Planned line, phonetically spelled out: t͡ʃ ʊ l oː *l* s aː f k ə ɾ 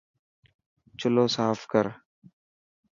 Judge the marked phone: incorrect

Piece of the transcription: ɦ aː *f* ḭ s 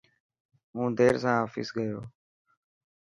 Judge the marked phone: correct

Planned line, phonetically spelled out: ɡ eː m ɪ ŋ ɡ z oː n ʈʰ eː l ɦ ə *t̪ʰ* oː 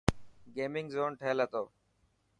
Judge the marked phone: incorrect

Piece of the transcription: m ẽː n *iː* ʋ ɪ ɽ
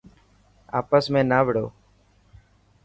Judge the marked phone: incorrect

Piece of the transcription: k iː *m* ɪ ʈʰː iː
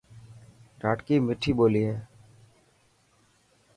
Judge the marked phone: correct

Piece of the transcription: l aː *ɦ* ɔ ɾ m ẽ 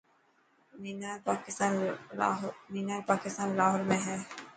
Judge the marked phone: correct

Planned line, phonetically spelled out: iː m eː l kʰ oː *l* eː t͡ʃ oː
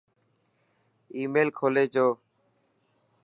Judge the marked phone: correct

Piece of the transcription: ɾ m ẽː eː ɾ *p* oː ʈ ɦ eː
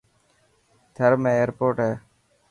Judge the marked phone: correct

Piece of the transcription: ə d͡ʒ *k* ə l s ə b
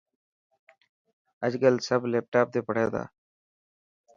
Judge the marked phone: incorrect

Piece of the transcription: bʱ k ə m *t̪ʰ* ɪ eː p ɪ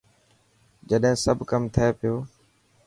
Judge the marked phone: correct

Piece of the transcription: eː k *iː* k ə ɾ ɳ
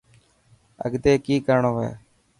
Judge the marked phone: correct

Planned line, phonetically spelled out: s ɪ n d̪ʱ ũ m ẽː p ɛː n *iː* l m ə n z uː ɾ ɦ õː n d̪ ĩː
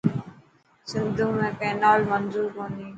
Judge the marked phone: incorrect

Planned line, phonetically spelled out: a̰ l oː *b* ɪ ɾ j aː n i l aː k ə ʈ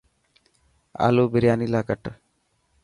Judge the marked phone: correct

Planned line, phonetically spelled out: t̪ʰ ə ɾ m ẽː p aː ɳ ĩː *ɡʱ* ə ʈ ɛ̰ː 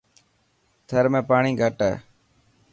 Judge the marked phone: correct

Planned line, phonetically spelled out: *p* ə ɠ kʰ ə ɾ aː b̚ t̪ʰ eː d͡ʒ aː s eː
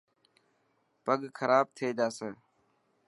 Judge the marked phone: correct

